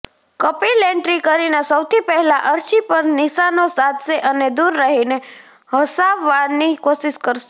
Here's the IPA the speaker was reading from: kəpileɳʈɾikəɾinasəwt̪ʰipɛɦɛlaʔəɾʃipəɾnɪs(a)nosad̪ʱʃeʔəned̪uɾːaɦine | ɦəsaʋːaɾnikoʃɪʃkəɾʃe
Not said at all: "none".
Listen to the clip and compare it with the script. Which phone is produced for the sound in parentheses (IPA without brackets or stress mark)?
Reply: a